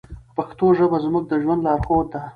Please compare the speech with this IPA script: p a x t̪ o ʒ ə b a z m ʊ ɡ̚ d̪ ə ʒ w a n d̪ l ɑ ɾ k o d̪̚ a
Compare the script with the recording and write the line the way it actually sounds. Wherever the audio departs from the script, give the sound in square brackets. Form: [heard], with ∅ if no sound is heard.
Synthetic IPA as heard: p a x t̪ o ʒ ə b a z m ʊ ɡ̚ d̪ ə ʒ w a n d̪ l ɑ ɾ [x] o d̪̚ a

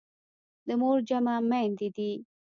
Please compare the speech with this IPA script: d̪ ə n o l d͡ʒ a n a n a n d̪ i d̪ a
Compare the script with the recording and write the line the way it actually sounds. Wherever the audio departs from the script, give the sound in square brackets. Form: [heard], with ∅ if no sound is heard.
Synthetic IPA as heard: d̪ ə [m] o [ɾ] d͡ʒ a [m] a [m] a n d̪ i d̪ [i]

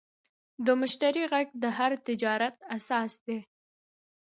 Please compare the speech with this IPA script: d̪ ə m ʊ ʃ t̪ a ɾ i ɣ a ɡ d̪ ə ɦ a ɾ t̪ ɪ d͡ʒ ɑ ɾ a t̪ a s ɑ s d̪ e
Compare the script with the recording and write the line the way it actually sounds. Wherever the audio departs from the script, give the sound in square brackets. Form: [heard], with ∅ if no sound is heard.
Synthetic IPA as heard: d̪ ə m ʊ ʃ t̪ a ɾ i ɣ a ɡ d̪ ə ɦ a ɾ t̪ ɪ d͡ʒ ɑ ɾ a t̪ a s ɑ s d̪ e

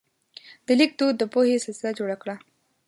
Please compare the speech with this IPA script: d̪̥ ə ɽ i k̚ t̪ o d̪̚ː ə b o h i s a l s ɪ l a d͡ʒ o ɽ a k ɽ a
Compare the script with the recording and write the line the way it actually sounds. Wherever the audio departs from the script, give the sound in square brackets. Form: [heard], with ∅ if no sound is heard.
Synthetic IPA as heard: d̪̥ ə [l] i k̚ [d̪] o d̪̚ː ə [p] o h [e] s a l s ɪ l a d͡ʒ o ɽ a k ɽ a

